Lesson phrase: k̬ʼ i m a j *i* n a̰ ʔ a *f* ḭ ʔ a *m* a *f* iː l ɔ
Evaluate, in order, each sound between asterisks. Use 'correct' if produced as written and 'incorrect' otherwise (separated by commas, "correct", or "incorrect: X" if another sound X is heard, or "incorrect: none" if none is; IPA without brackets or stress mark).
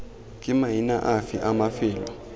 correct, correct, correct, correct